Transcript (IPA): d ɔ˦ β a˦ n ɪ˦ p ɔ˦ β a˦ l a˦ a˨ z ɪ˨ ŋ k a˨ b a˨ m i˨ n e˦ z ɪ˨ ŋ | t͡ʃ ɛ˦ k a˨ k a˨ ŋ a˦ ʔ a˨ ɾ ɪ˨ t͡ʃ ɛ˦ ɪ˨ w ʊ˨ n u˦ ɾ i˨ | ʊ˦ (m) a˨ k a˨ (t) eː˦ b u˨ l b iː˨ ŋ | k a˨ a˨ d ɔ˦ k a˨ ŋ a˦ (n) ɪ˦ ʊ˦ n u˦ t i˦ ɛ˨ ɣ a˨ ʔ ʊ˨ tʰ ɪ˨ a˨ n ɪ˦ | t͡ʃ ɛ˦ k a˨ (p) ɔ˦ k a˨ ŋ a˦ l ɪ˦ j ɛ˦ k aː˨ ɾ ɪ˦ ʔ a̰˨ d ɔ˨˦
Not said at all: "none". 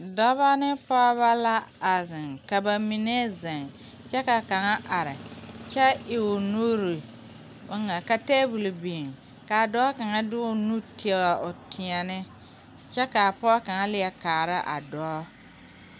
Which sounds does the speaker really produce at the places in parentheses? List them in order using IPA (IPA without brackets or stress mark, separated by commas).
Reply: ŋ, t, d, p